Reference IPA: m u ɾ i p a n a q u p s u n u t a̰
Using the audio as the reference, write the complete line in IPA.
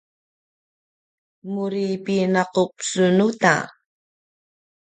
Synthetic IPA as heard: m u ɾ i p i n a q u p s u n u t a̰